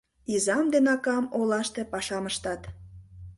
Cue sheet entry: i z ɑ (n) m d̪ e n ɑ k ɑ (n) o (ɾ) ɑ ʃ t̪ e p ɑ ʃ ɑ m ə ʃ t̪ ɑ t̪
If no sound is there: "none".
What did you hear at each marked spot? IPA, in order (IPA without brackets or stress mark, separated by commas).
none, m, l